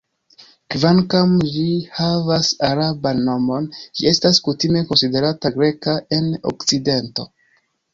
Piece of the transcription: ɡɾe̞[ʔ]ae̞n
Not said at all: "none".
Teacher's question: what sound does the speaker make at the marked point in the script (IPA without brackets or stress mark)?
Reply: k